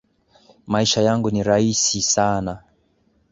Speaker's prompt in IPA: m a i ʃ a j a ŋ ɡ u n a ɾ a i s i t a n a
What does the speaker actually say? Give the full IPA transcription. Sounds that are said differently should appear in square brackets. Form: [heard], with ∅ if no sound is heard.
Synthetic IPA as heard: m a i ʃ a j a ŋ ɡ u n [i] ɾ a i s i [s] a n a